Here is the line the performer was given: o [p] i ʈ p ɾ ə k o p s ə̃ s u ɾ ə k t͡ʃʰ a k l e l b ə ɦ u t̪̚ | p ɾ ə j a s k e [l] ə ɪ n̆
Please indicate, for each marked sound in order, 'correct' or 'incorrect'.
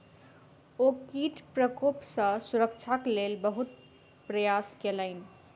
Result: incorrect: k, correct

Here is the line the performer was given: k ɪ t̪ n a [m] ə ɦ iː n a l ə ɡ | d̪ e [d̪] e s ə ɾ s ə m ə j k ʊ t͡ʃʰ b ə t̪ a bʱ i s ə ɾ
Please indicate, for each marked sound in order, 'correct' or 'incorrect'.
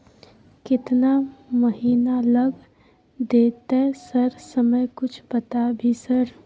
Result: correct, incorrect: t̪

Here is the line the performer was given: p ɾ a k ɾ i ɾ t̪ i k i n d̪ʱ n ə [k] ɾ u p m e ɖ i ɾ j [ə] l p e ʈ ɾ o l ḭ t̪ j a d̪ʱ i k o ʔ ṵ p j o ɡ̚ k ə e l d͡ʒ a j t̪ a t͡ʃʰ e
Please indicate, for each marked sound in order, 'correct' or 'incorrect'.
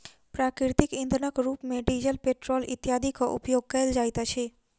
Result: correct, correct

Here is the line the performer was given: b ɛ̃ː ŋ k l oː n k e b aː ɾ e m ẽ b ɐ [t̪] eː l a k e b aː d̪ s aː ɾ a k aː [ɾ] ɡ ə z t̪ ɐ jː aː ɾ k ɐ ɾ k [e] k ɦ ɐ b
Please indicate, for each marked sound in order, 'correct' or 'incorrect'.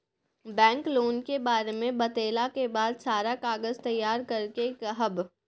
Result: correct, incorrect: none, correct

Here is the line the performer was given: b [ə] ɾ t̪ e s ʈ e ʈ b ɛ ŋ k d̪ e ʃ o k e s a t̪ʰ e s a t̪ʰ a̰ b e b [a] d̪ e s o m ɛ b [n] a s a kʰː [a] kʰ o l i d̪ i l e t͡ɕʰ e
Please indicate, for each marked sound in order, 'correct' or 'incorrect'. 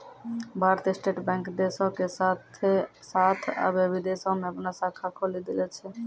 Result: incorrect: a, incorrect: i, correct, correct

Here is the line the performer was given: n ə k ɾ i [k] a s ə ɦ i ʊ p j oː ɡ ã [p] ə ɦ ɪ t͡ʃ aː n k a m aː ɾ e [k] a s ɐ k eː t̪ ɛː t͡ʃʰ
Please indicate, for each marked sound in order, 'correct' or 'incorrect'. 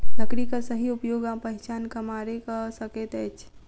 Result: correct, correct, correct

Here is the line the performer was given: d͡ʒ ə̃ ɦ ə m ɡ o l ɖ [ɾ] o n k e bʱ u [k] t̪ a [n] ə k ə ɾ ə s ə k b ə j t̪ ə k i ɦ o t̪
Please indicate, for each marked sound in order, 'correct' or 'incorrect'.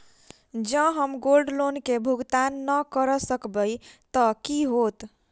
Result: incorrect: l, incorrect: ɡ, incorrect: nː

